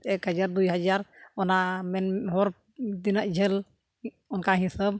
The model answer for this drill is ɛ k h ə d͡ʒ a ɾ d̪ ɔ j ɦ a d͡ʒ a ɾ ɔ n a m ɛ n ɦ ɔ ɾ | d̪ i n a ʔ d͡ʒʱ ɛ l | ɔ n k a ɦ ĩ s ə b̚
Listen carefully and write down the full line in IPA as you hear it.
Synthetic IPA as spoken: ɛ k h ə d͡ʒ a ɾ d̪ u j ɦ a d͡ʒ a ɾ ɔ n a m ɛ n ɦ ɔ ɾ | d̪ i n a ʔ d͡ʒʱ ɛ l | ɔ n k a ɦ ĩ s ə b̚